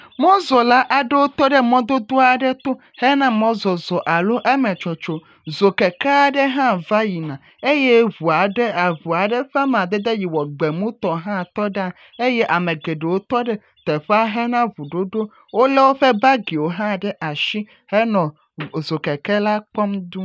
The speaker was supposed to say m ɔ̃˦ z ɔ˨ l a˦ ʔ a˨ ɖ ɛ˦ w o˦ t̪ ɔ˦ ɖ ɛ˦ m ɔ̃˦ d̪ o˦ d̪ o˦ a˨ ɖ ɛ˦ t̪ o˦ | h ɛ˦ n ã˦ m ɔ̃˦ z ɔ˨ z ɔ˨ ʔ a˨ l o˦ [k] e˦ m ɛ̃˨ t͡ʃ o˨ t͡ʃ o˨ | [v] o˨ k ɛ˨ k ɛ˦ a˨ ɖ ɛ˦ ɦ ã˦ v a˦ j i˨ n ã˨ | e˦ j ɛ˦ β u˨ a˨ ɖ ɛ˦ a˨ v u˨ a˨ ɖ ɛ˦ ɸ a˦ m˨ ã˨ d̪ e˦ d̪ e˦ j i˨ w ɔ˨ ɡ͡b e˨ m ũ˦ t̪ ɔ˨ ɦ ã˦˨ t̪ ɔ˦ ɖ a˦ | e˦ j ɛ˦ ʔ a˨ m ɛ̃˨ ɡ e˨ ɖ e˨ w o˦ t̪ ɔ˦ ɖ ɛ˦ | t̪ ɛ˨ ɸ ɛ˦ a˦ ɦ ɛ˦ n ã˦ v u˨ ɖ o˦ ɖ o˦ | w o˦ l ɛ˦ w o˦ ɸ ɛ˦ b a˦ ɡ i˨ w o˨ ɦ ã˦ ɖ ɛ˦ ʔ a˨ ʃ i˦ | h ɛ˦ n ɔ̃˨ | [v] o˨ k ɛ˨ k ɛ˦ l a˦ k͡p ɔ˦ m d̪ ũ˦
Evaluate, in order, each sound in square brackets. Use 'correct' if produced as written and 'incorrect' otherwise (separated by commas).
incorrect, incorrect, incorrect